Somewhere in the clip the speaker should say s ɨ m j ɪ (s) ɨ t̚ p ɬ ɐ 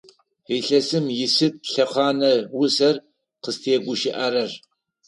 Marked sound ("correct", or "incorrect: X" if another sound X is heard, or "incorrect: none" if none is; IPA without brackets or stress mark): correct